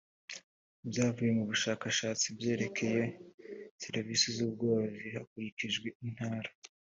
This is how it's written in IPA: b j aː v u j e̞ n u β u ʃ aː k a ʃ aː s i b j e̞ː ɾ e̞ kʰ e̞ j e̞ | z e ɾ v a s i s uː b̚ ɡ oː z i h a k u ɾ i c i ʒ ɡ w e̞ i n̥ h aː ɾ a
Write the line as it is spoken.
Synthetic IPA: b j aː v u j e̞ m u β u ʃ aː k a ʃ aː t͡s i b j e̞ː ɾ e̞ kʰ e̞ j e̞ | s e ɾ v i s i z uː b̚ ɡ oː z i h a k u ɾ i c i ʒ ɡ w e̞ i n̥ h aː ɾ a